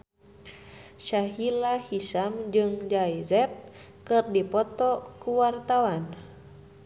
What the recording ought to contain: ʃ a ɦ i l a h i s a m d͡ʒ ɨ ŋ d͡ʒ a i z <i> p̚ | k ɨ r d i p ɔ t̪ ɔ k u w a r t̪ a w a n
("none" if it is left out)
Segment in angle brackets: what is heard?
ɛ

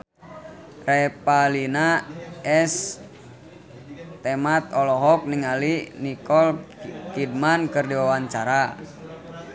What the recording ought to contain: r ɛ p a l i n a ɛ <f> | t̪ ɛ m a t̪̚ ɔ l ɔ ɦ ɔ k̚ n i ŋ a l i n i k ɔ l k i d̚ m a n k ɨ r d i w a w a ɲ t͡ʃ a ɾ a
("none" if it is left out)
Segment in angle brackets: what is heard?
s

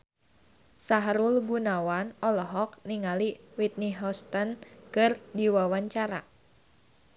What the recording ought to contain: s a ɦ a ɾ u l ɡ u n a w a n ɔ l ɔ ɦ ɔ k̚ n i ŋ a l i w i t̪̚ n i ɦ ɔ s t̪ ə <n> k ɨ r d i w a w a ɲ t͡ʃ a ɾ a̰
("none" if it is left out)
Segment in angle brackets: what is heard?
n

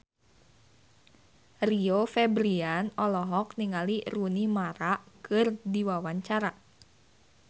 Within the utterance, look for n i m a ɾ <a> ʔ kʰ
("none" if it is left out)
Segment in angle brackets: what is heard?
a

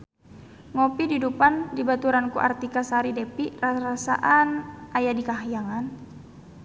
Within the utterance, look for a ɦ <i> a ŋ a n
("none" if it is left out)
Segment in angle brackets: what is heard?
j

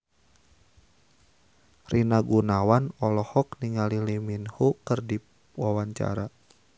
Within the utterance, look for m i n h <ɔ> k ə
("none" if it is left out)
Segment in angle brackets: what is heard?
u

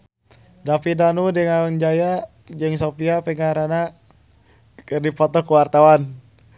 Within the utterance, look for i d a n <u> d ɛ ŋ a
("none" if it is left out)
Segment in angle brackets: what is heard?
u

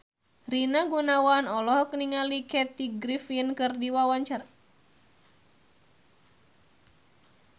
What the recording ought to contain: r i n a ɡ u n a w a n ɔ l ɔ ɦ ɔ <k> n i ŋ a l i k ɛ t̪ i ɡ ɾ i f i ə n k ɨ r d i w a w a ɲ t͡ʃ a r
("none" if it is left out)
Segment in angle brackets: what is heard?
k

